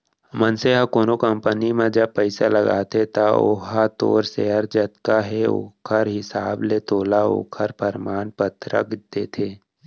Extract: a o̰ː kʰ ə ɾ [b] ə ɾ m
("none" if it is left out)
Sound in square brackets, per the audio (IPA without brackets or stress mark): p